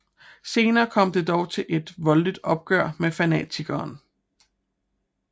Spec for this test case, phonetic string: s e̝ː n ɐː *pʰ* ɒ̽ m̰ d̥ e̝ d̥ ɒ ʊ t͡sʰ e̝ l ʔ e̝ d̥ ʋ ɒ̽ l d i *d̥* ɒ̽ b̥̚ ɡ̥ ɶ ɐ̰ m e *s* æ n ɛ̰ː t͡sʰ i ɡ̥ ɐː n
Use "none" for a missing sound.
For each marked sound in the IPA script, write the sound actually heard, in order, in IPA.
kʰ, d̥, f

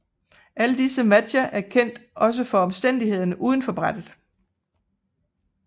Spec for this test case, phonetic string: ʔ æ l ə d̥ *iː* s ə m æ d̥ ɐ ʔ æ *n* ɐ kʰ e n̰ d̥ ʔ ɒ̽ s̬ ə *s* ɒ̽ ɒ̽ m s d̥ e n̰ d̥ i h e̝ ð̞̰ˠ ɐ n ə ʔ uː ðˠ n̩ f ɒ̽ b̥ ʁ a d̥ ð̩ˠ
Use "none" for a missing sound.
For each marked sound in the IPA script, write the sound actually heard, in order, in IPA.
i, none, f

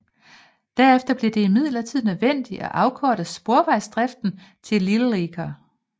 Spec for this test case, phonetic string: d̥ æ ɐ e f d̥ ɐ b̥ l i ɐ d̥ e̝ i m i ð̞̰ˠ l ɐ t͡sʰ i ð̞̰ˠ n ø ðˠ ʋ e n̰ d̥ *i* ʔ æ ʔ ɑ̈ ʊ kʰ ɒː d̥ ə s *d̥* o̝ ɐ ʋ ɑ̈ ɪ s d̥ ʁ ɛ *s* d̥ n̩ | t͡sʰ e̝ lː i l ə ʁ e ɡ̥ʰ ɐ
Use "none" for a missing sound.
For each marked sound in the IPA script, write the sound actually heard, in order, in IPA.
i, b̥, f

